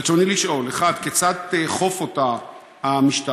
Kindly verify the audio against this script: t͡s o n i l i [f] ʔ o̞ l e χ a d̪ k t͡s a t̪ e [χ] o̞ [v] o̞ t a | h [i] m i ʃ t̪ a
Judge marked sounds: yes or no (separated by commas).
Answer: no, yes, no, no